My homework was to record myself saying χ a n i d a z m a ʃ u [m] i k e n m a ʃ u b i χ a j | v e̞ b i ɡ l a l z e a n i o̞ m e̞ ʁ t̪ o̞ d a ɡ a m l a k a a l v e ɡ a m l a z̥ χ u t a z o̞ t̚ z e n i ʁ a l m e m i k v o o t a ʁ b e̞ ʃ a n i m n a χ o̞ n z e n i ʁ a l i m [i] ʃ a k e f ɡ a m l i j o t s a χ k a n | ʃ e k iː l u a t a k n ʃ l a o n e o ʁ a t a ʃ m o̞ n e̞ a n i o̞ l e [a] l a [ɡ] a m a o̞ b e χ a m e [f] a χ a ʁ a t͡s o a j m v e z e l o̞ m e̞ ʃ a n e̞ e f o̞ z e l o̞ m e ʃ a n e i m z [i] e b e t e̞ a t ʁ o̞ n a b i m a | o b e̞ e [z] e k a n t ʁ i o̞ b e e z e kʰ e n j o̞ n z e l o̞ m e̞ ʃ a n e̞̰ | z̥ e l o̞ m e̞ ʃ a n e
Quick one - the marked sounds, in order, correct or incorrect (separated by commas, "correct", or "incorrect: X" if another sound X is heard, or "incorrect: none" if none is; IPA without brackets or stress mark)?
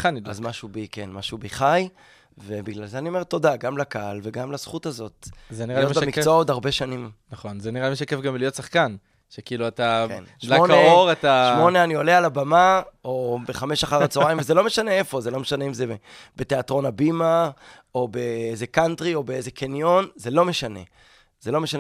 incorrect: b, correct, correct, incorrect: b, incorrect: ʃ, incorrect: e, correct